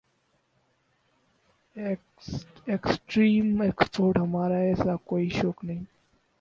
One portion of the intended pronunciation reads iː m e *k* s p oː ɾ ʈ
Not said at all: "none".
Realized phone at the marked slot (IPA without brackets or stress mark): k